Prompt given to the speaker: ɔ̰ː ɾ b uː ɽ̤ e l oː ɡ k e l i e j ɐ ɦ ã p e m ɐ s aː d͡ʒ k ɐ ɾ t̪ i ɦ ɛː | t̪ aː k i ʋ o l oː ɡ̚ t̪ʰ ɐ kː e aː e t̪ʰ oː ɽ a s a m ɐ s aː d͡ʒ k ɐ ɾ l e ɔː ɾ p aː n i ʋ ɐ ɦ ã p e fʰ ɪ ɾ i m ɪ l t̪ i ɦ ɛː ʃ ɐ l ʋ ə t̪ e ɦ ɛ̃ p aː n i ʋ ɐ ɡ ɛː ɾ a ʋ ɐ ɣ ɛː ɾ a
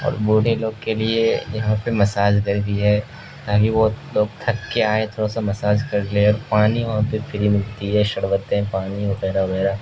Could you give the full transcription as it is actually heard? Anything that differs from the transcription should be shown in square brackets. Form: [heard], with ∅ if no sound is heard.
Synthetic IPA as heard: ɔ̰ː ɾ b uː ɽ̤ e l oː ɡ k e l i e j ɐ ɦ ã p e m ɐ s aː d͡ʒ k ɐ ɾ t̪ i ɦ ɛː | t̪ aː k i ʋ o l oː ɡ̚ t̪ʰ ɐ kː e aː e t̪ʰ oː ɽ a s a m ɐ s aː d͡ʒ k ɐ ɾ l e ɔː ɾ p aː n i ʋ ɐ ɦ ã p e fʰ ɪ ɾ i m ɪ l t̪ i ɦ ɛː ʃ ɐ [ɽ] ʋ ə t̪ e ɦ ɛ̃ p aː n i ʋ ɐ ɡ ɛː ɾ a ʋ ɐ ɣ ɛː ɾ a

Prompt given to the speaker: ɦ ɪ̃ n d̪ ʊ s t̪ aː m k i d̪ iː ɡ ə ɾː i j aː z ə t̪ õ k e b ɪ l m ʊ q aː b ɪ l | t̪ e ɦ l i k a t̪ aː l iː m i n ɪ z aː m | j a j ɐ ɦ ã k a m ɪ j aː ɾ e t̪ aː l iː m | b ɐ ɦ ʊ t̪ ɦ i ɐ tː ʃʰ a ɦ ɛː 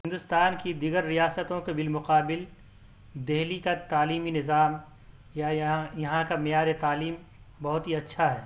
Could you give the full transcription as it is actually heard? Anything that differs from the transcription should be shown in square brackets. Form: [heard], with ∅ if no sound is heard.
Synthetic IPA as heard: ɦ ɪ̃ n d̪ ʊ s t̪ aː [n] k i d̪ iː ɡ ə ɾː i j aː [s] ə t̪ õ k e b ɪ l m ʊ q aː b ɪ l | [d̪] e ɦ l i k a t̪ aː l iː m i n ɪ z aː m | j a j ɐ ɦ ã k a m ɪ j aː ɾ e t̪ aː l iː m | b ɐ ɦ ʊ t̪ ɦ i ɐ tː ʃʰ a ɦ ɛː

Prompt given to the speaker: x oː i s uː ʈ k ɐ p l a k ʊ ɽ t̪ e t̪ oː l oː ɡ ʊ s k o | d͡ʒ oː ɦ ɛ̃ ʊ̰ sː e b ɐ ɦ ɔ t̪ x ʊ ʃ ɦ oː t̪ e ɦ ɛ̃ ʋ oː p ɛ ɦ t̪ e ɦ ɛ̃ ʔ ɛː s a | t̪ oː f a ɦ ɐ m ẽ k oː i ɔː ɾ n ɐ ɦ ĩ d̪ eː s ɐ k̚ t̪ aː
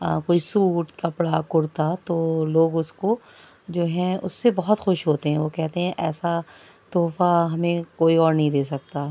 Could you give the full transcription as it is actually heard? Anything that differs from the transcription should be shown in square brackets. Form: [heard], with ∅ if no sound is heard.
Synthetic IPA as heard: [k] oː i s uː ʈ k ɐ p [ɽ] a k ʊ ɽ t̪ [a] t̪ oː l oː ɡ ʊ s k o | d͡ʒ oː ɦ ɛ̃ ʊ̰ sː e b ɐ ɦ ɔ t̪ x ʊ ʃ ɦ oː t̪ e ɦ ɛ̃ ʋ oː [k] ɛ ɦ t̪ e ɦ ɛ̃ ʔ ɛː s a | t̪ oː f a ɦ ɐ m ẽ k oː i ɔː ɾ n ɐ ɦ ĩ d̪ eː s ɐ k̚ t̪ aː

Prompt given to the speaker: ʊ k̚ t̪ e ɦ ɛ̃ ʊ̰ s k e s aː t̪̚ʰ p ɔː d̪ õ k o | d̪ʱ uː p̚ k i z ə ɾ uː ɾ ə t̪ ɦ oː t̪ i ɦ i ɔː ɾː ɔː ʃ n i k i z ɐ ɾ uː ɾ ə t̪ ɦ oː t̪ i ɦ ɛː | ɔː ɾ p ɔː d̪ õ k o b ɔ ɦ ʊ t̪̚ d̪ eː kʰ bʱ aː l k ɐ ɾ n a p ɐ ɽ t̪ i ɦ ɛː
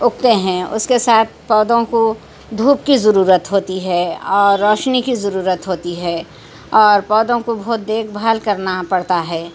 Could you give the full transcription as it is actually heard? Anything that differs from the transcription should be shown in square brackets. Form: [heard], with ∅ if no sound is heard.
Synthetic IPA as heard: ʊ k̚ t̪ e ɦ ɛ̃ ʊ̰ s k e s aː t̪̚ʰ p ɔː d̪ õ k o | d̪ʱ uː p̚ k i z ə ɾ uː ɾ ə t̪ ɦ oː t̪ i ɦ [ɛ] ɔː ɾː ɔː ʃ n i k i z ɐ ɾ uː ɾ ə t̪ ɦ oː t̪ i ɦ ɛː | ɔː ɾ p ɔː d̪ õ k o b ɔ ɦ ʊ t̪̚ d̪ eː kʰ bʱ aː l k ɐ ɾ n a p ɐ ɽ t̪ [a] ɦ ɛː

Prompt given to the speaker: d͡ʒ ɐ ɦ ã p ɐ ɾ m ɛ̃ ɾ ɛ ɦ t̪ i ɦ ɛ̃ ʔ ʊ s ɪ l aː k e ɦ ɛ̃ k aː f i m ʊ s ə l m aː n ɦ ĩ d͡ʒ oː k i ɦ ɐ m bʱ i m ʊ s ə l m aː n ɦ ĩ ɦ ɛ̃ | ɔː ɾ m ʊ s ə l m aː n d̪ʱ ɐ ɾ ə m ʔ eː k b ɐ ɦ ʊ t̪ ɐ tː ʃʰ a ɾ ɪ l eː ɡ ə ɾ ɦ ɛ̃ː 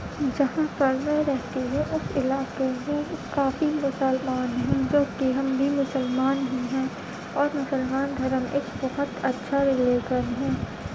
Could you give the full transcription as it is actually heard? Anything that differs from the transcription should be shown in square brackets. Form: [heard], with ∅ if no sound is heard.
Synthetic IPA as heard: d͡ʒ ɐ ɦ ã p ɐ ɾ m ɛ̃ ɾ ɛ ɦ t̪ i ɦ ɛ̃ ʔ ʊ s ɪ l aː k e ɦ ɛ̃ k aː f i m ʊ s ə l m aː n ɦ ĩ d͡ʒ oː k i ɦ ɐ m bʱ i m ʊ s ə l m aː n ɦ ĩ ɦ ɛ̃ | ɔː ɾ m ʊ s ə l m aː n d̪ʱ ɐ ɾ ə m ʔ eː k b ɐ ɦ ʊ t̪ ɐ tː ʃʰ a ɾ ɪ l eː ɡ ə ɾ ɦ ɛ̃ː

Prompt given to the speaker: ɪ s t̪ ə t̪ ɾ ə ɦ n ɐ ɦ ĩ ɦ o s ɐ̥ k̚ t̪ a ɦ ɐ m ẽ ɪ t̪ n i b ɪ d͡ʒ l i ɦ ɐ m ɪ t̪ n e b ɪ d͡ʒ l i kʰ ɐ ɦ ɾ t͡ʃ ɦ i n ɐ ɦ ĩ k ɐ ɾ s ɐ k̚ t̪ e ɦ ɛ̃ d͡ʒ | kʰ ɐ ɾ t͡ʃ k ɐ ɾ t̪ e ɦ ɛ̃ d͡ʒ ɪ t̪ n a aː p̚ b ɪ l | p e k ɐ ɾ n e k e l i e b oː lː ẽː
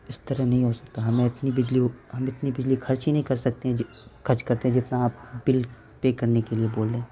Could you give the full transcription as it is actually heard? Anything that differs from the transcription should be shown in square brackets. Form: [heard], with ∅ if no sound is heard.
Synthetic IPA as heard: ɪ s t̪ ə [∅] ɾ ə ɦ n ɐ ɦ ĩ ɦ o s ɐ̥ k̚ t̪ a ɦ ɐ m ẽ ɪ t̪ n i b ɪ d͡ʒ l i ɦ ɐ m ɪ t̪ n [i] b ɪ d͡ʒ l i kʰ ɐ [∅] ɾ t͡ʃ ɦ i n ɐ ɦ ĩ k ɐ ɾ s ɐ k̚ t̪ e ɦ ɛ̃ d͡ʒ | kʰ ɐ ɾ t͡ʃ k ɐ ɾ t̪ e ɦ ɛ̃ d͡ʒ ɪ t̪ n a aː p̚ b ɪ l | p e k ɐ ɾ n e k e l i e b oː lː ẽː

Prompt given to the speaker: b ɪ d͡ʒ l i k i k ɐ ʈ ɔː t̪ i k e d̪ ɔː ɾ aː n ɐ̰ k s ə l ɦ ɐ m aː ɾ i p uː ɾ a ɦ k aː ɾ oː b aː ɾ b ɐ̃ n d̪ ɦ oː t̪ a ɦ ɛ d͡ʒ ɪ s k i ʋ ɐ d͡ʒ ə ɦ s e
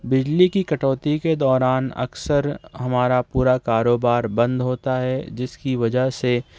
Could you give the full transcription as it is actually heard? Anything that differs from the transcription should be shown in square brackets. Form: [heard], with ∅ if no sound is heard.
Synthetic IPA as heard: b ɪ d͡ʒ l i k i k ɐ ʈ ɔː t̪ i k e d̪ ɔː ɾ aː n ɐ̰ k s ə [ɾ] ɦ ɐ m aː ɾ [a] p uː ɾ a [∅] k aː ɾ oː b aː ɾ b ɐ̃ n d̪ ɦ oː t̪ a ɦ ɛ d͡ʒ ɪ s k i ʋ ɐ d͡ʒ ə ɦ s e

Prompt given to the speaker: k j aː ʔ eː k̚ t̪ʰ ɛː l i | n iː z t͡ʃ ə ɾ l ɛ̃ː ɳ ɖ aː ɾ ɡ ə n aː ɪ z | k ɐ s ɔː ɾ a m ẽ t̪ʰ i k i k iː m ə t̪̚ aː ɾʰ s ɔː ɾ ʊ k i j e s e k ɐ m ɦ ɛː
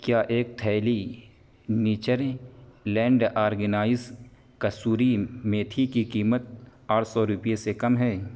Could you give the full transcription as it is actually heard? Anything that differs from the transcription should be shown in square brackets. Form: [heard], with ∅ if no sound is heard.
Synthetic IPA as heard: k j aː ʔ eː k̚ t̪ʰ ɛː l i | n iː [∅] t͡ʃ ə ɾ l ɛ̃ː ɳ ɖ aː ɾ ɡ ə n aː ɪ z | k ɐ s [uː] ɾ [i] m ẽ t̪ʰ i k i k iː m ə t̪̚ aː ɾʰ s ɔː ɾ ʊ [p] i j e s e k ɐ m ɦ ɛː

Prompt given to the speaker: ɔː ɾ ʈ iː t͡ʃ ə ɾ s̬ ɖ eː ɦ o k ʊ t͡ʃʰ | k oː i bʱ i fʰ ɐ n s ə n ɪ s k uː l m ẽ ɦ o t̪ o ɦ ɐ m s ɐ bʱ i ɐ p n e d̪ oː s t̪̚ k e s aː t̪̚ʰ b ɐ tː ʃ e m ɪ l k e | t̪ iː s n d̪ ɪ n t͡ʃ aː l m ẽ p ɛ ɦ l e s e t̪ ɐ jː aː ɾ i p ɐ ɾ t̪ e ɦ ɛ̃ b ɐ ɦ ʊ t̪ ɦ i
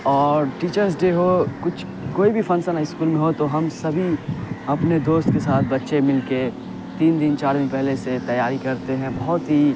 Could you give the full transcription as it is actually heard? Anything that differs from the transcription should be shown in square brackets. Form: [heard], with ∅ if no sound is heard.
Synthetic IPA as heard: ɔː ɾ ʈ iː t͡ʃ ə ɾ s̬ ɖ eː ɦ o k ʊ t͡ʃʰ | k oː i bʱ i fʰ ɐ n s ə n ɪ s k uː l m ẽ ɦ o t̪ o ɦ ɐ m s ɐ bʱ i ɐ p n e d̪ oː s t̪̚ k e s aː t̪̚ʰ b ɐ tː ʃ e m ɪ l k e | t̪ iː [∅] n d̪ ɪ n t͡ʃ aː [ɾ] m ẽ p ɛ ɦ l e s e t̪ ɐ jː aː ɾ i [k] ɐ ɾ t̪ e ɦ ɛ̃ b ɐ ɦ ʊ t̪ ɦ i

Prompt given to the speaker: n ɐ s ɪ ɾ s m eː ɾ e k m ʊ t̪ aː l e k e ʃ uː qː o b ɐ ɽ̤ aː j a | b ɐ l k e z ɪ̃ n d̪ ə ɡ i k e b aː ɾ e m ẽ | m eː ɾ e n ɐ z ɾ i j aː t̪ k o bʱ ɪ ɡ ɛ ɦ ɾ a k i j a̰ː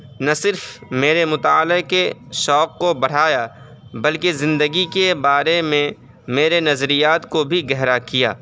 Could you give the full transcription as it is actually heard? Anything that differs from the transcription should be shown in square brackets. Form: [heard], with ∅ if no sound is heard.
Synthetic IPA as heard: n ɐ s ɪ ɾ [f] m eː ɾ e [∅] m ʊ t̪ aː l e k e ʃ [ɔː] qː o b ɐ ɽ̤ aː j a | b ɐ l k e z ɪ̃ n d̪ ə ɡ i k e b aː ɾ e m ẽ | m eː ɾ e n ɐ z ɾ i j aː t̪ k o bʱ [i] ɡ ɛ ɦ ɾ a k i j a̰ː

